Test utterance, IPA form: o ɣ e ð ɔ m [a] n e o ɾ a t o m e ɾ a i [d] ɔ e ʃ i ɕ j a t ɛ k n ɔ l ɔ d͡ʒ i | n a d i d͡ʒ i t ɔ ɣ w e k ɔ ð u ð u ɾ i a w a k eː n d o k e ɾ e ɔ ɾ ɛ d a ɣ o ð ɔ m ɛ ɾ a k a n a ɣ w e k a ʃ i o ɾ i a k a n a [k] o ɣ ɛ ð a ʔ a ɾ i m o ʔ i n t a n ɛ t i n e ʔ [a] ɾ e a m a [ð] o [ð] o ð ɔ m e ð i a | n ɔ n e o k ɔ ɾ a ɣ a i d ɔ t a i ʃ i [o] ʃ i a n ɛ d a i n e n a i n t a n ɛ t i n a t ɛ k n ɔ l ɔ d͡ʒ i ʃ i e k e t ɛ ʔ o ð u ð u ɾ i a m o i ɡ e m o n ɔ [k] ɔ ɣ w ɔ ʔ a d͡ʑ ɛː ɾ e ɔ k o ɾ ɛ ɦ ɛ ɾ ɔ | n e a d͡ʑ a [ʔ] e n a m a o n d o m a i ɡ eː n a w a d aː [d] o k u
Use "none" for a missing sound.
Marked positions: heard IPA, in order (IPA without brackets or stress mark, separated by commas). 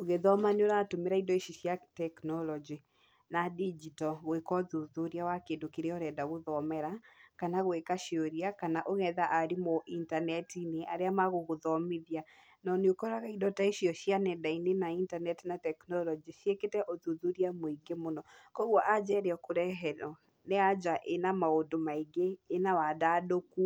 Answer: a, d, ʔ, a, ɣ, ɣ, ɔ, k, ʔ, d